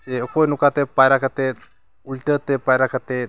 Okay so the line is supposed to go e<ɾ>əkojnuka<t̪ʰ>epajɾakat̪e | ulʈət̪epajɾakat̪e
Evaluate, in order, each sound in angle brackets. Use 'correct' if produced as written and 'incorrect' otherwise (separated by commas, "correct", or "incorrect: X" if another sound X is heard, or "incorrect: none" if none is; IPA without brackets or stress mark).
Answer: incorrect: none, incorrect: t̪